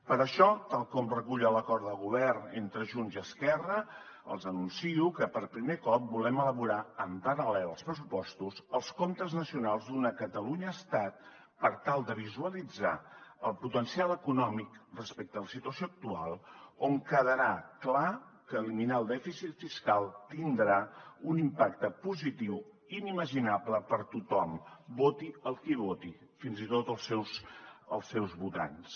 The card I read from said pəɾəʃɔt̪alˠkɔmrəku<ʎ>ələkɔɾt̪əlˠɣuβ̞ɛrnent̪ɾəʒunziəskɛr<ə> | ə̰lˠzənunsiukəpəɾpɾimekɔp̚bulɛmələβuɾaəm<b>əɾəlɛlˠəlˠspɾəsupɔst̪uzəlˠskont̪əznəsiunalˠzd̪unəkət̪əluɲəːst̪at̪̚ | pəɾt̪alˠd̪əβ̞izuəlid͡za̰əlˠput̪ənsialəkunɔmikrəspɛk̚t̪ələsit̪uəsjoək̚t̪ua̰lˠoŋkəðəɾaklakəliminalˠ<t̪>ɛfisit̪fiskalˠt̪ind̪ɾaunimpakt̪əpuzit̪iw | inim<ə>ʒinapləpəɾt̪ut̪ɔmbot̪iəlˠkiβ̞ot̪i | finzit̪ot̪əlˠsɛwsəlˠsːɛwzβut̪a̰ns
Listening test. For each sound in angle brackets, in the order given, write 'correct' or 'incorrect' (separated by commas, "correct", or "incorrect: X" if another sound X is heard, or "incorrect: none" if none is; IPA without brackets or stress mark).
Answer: correct, correct, incorrect: p, incorrect: d̪, correct